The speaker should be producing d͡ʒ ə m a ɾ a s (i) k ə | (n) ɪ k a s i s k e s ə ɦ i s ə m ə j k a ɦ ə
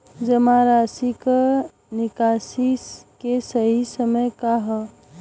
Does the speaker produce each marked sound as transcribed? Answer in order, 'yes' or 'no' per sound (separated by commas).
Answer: yes, yes